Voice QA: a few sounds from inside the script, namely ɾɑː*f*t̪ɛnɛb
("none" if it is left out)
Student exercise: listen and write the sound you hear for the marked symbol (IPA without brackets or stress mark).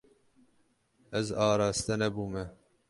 s